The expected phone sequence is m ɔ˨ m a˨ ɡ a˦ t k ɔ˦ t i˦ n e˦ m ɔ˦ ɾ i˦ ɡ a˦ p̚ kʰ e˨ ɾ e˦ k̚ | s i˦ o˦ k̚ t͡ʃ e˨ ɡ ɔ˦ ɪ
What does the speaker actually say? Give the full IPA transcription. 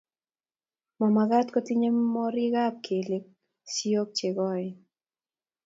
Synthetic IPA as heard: m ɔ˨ m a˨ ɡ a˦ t k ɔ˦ t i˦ ɲ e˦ m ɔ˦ ɾ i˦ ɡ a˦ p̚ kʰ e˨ l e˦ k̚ | s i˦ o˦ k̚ t͡ʃ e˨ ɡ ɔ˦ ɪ